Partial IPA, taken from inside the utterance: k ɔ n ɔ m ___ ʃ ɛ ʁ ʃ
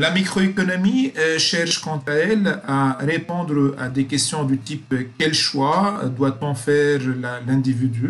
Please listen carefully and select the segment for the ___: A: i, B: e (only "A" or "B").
A